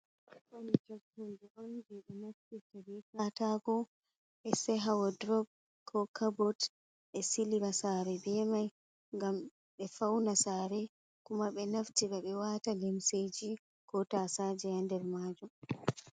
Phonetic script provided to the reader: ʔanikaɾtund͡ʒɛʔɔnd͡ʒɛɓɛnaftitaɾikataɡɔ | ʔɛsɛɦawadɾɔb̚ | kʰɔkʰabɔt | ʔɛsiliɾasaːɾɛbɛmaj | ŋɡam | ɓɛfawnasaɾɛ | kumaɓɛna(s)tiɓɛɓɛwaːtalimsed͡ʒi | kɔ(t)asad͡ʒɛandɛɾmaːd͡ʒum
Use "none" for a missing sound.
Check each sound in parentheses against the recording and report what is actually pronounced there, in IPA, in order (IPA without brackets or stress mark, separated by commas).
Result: f, t